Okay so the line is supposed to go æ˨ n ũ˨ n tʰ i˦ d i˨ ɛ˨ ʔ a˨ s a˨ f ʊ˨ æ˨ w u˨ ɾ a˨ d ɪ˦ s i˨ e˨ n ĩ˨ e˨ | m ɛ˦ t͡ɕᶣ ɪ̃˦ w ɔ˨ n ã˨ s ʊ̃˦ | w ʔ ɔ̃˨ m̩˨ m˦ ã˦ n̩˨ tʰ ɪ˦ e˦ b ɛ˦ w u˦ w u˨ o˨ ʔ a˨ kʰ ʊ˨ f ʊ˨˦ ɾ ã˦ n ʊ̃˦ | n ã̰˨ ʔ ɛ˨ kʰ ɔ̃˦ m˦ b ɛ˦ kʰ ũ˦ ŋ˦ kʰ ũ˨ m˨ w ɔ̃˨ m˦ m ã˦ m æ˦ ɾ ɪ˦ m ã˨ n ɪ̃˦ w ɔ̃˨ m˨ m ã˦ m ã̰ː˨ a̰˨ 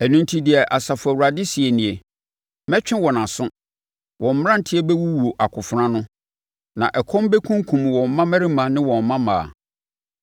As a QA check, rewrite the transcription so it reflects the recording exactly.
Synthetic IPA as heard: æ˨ n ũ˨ n tʰ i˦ d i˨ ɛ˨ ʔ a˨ s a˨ f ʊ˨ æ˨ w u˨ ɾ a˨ d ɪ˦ s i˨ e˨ n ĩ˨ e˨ | m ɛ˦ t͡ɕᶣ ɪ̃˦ w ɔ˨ n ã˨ s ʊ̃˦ | w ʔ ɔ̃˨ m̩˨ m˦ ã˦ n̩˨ tʰ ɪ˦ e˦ b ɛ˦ w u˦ w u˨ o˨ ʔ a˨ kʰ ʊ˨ f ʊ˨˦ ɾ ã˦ n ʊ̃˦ | n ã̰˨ ʔ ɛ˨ kʰ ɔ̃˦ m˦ b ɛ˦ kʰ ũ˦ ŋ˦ kʰ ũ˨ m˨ w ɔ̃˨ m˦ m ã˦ m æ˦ ɾ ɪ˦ m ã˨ n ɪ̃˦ w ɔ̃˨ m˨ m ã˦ m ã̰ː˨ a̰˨